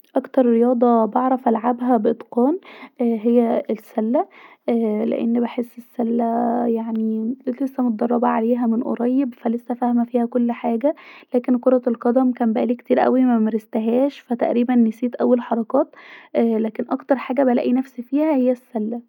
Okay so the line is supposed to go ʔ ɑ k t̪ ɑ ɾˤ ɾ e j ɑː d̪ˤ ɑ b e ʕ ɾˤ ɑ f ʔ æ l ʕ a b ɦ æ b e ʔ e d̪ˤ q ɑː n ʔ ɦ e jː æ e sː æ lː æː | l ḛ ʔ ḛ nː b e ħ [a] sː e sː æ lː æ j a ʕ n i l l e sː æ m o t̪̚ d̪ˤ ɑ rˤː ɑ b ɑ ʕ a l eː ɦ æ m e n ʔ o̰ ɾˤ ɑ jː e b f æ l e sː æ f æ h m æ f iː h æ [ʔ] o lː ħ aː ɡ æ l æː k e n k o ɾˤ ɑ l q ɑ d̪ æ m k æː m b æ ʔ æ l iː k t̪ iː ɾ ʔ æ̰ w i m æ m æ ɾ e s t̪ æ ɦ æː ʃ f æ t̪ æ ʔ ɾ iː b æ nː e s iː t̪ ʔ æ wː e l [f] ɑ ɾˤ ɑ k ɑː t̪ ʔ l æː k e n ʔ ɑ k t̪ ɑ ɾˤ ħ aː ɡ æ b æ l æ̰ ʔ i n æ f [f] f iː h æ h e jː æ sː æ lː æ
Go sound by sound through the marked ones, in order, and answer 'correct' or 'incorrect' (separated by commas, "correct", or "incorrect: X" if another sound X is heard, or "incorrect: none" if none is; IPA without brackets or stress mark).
incorrect: e, incorrect: k, incorrect: ħ, incorrect: s